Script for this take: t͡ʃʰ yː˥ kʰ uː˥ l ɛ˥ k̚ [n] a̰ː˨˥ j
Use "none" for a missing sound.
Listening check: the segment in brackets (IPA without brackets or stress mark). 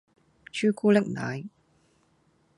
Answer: n